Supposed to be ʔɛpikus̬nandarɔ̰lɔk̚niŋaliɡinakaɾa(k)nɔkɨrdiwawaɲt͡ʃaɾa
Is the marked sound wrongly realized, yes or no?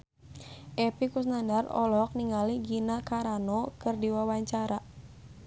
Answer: yes